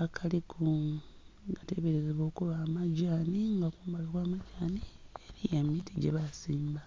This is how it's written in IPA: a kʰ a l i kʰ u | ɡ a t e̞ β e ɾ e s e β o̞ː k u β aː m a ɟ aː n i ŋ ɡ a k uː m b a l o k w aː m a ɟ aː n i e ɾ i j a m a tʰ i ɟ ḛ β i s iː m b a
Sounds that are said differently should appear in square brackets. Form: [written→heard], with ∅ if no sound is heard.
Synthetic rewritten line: a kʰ a l i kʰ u | ɡ a t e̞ β e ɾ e [s→z] e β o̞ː k u β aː m a ɟ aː n i ŋ ɡ a k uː m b a l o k w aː m a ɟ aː n i e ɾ i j a m [a→i] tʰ i ɟ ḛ β [i→a] s iː m b a

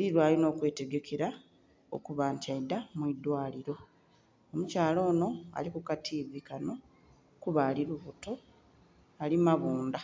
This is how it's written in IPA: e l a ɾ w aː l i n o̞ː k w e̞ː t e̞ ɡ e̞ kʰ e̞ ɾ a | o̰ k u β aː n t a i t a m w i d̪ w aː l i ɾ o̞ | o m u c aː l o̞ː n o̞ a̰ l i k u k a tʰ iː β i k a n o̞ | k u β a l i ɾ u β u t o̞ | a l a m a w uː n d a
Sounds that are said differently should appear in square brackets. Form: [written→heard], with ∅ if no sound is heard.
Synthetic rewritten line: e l [a→i] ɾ w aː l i n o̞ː k w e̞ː t e̞ ɡ e̞ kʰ e̞ ɾ a | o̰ k u β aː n t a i [t→d] a m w i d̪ w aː l i ɾ o̞ | o m u c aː l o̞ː n o̞ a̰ l i k u k a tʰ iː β i k a n o̞ | k u β a l i ɾ u β u t o̞ | a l [a→i] m a [w→β] uː n d a

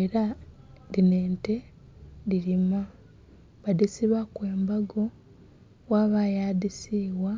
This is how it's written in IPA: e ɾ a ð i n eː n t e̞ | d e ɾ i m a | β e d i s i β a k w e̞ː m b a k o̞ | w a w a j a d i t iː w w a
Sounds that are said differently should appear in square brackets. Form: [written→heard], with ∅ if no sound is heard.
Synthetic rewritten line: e ɾ a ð i n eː n t e̞ | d [e→i] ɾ i m a | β [e→a] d i s i β a k w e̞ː m b a [k→ɡ] o̞ | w a [w→β] a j a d i [t→s] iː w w a

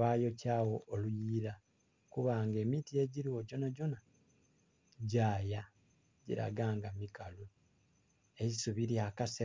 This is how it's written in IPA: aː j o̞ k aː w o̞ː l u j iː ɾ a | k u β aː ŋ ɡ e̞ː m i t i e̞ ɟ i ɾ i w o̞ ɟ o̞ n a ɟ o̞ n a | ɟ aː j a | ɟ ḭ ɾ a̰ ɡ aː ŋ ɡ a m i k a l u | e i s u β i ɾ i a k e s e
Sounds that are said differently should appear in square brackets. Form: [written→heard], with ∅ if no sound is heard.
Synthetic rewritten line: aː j o̞ [k→c] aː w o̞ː l u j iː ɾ a | k u β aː ŋ ɡ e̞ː m i t i e̞ ɟ i ɾ i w o̞ ɟ o̞ n a ɟ o̞ n a | ɟ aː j a | ɟ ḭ ɾ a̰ ɡ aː ŋ ɡ a m i k a l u | e i s u β i ɾ i a k [e→a] s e

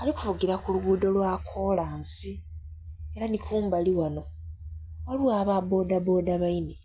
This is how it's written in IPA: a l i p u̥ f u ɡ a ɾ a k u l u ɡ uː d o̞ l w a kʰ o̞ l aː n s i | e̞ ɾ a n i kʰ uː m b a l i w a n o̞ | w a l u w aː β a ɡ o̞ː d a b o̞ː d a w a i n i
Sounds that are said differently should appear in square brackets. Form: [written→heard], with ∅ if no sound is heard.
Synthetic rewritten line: a l i [p→k] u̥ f u ɡ [a→i] ɾ a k u l u ɡ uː d o̞ l w a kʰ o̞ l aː n s i | e̞ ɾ a n i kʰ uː m b a l i w a n o̞ | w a l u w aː β a [ɡ→b] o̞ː d a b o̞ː d a [w→β] a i n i

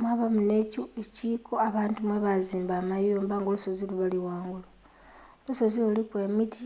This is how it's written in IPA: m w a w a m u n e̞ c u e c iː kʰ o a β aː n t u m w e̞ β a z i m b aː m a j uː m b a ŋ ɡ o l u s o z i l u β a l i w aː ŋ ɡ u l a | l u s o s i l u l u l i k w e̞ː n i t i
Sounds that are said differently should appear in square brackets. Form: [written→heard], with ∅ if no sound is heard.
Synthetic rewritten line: m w a [w→β] a m u n e̞ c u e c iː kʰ o a β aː n t u m w e̞ β a z [i→iː] m b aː m a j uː m b a ŋ ɡ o l u s o z i l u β a l i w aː ŋ ɡ u l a | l u s o [s→z] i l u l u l i k w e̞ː [n→m] i t i

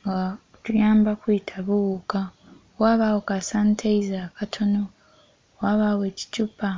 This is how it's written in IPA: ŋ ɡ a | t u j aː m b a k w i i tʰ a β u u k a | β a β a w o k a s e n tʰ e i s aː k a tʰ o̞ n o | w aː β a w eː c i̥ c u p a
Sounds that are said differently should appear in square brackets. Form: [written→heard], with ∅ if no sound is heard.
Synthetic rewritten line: ŋ ɡ a | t u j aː m b a k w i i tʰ a β u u k a | [β→w] a β a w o k a s [e→a] n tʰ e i [s→z] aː k a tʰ o̞ n o | w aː β a w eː c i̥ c u p a

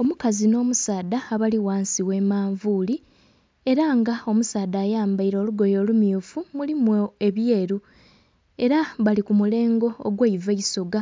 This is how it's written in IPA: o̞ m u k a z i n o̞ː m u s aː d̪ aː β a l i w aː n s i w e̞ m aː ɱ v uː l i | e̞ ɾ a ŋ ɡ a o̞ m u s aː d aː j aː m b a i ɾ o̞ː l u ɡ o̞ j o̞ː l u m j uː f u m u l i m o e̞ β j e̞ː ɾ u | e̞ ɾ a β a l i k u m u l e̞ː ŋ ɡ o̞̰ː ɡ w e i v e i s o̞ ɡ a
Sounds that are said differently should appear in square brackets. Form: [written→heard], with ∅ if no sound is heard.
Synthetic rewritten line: o̞ m u k a z i n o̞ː m u s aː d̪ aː β a l i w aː n s i w e̞ m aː ɱ v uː l i | e̞ ɾ a ŋ ɡ a o̞ m u s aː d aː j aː m b a i ɾ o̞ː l u ɡ o̞ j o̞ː l u m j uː f u m u l i m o e̞ β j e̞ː ɾ u | e̞ ɾ a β a l i k u m u l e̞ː ŋ ɡ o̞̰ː ɡ w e i v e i s o̞ ɡ a

